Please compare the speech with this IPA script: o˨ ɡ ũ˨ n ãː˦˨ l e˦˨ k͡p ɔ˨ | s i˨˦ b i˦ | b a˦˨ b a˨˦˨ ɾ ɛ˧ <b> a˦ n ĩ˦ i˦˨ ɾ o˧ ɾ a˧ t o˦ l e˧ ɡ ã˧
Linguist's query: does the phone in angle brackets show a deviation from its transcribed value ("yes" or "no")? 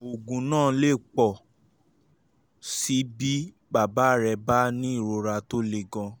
no